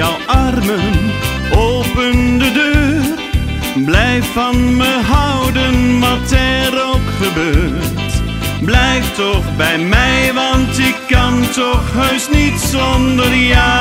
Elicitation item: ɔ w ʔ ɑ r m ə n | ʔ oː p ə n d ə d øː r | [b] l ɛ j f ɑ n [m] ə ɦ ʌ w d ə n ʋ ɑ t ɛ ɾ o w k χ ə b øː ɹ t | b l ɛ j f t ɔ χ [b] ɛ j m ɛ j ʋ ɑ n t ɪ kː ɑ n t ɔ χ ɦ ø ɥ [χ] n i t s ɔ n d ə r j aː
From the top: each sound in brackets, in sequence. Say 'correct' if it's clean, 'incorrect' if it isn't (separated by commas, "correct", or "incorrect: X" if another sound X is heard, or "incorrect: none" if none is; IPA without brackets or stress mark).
correct, correct, correct, incorrect: s